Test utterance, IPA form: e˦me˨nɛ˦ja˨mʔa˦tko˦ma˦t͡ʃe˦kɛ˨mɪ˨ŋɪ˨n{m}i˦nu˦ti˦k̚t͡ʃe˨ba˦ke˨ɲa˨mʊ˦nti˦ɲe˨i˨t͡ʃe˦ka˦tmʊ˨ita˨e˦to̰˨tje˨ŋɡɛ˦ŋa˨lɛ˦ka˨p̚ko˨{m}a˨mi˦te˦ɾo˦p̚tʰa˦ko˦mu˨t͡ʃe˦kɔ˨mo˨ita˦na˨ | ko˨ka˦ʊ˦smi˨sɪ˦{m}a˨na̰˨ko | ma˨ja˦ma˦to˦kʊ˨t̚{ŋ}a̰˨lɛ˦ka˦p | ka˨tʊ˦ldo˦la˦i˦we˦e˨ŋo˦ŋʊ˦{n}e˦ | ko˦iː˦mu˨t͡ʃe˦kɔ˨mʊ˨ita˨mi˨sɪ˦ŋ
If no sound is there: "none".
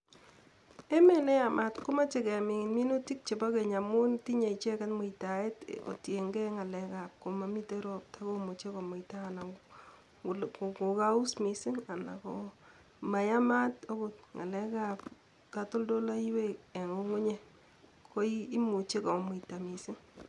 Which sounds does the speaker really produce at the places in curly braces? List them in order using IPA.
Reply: m, m, ŋ, ŋ, ɲ

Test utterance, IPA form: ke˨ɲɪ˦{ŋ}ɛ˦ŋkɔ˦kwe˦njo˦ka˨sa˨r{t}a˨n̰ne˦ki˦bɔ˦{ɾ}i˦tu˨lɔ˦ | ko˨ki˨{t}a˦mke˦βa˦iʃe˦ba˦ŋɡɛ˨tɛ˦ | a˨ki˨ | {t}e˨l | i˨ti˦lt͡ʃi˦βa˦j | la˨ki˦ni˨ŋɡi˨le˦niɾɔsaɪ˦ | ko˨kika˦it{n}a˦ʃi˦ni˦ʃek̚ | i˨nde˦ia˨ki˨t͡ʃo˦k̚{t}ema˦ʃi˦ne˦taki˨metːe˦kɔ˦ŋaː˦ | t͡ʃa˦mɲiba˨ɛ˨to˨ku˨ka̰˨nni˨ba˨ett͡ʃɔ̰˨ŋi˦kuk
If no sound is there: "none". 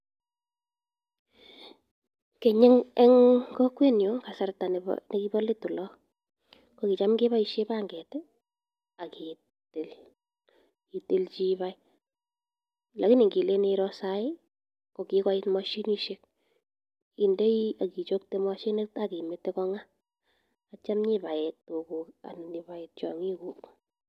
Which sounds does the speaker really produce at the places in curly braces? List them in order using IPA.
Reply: ŋ, t, l, t͡ʃ, t, m, t

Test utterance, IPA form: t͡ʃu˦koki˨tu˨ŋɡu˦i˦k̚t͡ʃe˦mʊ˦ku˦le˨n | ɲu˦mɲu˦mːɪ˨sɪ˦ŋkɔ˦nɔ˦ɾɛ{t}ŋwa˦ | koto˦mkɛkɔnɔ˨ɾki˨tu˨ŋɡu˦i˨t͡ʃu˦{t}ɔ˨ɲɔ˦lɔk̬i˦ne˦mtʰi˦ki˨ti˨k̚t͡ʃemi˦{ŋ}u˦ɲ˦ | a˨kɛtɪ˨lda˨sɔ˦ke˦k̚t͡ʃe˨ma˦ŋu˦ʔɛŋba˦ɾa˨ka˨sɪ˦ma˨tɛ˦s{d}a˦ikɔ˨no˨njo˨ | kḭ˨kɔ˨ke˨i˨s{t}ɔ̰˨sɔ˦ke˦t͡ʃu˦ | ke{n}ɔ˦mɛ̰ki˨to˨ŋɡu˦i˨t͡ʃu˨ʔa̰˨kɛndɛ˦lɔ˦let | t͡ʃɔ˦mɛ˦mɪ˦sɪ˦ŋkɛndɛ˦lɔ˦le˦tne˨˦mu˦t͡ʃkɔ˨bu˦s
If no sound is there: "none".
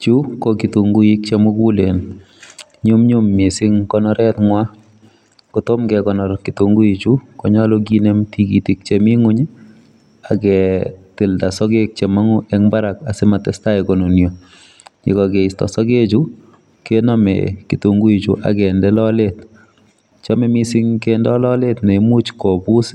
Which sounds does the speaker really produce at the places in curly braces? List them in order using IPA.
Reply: t, k, ŋ, t, t, n

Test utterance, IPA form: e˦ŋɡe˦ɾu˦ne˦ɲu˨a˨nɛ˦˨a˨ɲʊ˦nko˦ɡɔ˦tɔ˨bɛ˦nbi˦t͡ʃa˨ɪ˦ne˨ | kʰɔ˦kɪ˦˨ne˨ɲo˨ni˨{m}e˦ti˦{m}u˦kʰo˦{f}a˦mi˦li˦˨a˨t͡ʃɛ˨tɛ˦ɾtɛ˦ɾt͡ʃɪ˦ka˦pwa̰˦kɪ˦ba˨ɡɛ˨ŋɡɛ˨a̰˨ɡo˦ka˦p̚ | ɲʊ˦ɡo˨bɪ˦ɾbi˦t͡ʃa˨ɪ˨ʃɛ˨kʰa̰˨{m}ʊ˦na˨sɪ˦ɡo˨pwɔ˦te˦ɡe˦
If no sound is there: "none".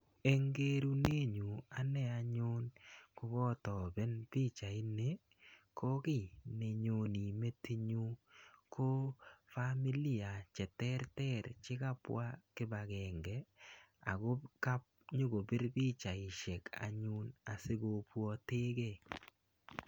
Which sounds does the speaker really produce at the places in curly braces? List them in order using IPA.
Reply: m, ɲ, f, ɲ

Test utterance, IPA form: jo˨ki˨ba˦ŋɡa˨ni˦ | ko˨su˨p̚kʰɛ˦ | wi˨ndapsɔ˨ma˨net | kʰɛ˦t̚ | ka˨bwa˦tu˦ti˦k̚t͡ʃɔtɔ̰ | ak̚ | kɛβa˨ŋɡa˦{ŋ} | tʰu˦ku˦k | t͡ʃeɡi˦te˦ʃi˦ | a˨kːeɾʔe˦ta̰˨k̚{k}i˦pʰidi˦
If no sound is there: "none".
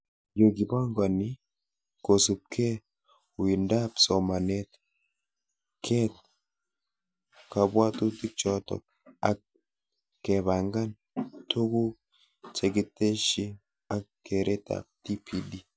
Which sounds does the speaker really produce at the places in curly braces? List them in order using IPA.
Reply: n, t

